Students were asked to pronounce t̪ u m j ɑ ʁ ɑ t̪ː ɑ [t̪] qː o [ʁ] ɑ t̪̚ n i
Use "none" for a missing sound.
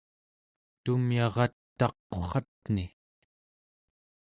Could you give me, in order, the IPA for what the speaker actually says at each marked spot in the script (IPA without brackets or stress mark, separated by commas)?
none, χ